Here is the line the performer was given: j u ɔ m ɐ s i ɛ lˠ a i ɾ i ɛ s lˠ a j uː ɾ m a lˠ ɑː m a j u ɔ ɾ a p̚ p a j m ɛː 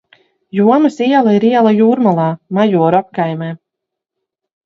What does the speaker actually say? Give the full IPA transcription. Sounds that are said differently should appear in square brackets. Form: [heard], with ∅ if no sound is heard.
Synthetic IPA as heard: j u ɔ m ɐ s i ɛ lˠ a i ɾ i ɛ [∅] lˠ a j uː ɾ m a lˠ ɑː m a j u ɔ ɾ a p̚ [k] a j m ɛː

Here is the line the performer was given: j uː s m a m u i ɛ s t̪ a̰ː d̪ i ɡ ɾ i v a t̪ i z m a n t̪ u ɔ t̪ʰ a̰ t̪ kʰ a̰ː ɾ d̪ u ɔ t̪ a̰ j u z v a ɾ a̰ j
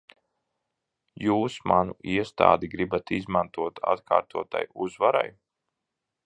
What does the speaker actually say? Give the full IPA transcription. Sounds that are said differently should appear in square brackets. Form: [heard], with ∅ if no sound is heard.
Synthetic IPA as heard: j uː s m a [n] u i ɛ s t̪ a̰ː d̪ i ɡ ɾ i [b] a t̪ i z m a n t̪ u ɔ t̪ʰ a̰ t̪ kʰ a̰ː ɾ [t̪] u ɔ t̪ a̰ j u z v a ɾ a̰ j

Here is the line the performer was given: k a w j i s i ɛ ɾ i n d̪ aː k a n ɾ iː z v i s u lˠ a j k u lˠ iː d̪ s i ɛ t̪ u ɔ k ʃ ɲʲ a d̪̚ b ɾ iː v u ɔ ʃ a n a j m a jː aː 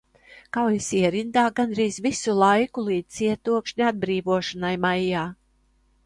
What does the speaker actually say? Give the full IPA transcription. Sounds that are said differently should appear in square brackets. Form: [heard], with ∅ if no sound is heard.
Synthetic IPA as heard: k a w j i s i ɛ ɾ i n d̪ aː [ɡ] a n ɾ iː z v i s u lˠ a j k u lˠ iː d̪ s i ɛ t̪ u ɔ k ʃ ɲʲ a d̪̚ b ɾ iː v u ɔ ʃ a n a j m a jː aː

